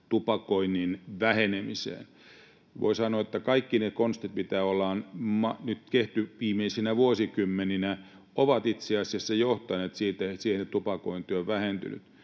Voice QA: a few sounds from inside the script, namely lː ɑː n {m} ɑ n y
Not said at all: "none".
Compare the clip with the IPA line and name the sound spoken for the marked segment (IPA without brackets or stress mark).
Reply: m